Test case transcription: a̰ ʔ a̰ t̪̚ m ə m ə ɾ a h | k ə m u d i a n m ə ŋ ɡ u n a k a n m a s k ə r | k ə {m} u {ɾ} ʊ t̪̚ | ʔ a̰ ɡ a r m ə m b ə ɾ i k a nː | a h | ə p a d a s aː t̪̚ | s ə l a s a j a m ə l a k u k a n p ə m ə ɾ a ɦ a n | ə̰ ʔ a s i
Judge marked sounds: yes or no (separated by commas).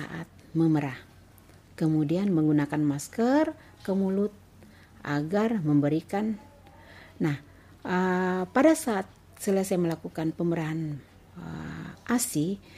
yes, no